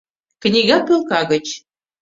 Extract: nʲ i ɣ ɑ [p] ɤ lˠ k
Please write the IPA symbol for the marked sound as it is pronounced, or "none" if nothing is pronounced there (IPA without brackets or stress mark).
p